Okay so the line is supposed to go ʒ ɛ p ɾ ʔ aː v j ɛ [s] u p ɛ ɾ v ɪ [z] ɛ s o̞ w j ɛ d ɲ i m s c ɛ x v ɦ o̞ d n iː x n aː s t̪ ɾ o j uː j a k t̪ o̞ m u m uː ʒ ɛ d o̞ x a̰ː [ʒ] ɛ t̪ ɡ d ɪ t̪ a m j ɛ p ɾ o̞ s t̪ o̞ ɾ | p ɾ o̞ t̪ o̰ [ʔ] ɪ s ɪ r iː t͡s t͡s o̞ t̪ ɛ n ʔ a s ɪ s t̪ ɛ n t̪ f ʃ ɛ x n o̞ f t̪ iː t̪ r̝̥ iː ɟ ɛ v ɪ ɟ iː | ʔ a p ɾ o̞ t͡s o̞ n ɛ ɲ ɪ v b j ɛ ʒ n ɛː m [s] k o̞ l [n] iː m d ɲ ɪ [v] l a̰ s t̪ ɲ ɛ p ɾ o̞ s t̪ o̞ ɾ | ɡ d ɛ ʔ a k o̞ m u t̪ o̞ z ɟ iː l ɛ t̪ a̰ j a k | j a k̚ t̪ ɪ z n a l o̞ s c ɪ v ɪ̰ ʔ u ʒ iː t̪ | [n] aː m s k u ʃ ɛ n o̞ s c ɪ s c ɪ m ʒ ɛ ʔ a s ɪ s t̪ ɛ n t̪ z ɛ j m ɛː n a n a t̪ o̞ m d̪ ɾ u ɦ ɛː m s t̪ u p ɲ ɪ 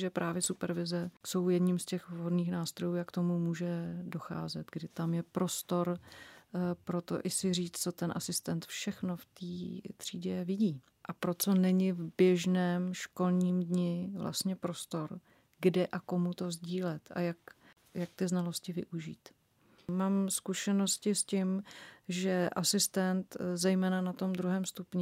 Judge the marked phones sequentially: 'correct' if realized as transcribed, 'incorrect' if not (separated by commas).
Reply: correct, correct, incorrect, correct, incorrect, incorrect, correct, incorrect